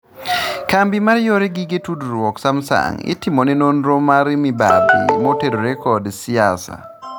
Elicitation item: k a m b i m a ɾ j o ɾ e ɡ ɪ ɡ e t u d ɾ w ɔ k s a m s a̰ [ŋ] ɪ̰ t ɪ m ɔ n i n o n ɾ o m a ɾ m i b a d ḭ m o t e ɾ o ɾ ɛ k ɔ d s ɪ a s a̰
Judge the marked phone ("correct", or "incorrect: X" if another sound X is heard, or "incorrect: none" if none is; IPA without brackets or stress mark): correct